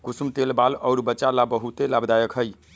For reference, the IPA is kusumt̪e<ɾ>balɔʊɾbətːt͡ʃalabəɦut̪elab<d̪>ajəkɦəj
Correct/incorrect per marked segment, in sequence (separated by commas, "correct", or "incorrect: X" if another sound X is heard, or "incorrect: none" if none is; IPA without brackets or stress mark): incorrect: l, correct